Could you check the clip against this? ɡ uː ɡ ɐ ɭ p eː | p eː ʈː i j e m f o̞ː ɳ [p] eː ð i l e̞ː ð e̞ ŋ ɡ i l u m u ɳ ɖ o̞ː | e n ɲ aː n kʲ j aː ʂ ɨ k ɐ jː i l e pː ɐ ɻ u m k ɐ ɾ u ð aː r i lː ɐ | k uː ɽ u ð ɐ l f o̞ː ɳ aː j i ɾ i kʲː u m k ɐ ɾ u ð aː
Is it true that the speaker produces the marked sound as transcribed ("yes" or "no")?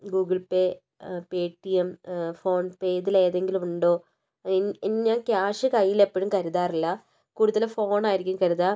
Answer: yes